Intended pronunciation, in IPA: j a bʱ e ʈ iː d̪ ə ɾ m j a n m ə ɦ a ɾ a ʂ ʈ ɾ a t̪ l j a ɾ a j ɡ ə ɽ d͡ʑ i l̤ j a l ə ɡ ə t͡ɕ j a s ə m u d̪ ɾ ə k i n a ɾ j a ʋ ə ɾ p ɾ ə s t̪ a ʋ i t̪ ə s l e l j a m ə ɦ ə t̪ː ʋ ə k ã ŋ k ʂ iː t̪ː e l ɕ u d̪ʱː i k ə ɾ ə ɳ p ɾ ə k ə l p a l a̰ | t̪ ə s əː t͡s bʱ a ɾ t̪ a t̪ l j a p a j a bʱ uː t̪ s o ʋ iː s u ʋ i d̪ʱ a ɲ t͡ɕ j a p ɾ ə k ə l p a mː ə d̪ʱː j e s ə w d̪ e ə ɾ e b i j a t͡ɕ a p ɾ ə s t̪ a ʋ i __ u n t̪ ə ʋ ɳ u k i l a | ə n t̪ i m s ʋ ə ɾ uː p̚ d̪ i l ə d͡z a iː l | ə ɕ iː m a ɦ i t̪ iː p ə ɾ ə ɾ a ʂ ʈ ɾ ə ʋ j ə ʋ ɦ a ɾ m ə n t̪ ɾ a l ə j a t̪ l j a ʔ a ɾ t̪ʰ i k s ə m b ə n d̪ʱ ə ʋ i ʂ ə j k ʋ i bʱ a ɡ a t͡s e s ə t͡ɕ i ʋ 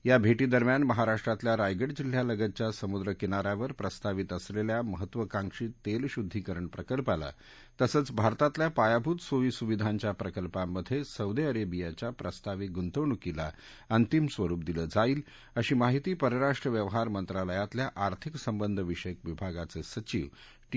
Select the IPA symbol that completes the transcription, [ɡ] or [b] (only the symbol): ɡ